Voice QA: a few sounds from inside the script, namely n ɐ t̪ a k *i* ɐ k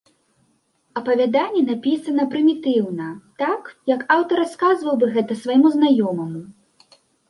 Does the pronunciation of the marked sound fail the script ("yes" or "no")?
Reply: yes